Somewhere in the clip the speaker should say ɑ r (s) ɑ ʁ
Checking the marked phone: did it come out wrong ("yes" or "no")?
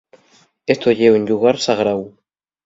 no